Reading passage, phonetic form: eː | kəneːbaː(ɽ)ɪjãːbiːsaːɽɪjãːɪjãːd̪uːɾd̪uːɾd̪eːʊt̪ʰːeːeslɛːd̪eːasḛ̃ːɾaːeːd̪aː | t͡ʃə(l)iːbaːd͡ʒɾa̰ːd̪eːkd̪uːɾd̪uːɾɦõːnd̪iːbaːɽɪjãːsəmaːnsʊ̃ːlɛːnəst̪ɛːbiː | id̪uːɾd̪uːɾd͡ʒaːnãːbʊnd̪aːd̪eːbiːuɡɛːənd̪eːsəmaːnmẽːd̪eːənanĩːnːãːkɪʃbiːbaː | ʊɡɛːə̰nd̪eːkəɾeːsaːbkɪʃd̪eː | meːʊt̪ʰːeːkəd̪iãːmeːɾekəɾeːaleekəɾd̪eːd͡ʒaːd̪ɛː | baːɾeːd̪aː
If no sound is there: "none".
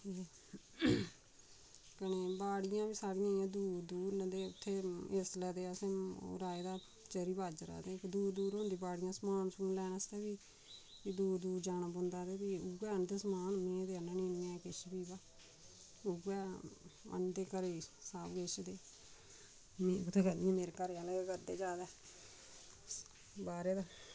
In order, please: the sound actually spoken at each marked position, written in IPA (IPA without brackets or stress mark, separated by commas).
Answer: ɽ, ɾ